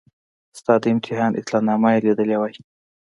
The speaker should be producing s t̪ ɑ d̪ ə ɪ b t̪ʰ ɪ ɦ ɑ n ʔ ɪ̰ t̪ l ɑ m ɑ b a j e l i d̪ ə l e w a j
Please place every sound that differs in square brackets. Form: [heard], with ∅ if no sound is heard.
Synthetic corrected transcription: s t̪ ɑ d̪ ə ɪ [m] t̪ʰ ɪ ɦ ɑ n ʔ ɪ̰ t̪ l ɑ [n] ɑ [m] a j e l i d̪ ə l e w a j